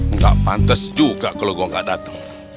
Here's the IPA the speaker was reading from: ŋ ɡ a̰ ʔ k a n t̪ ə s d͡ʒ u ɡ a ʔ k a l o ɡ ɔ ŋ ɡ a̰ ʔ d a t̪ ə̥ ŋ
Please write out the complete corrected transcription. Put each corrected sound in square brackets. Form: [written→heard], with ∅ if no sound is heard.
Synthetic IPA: ŋ ɡ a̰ ʔ [k→p] a n t̪ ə s d͡ʒ u ɡ a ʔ k a l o ɡ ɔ ŋ ɡ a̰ ʔ d a t̪ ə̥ ŋ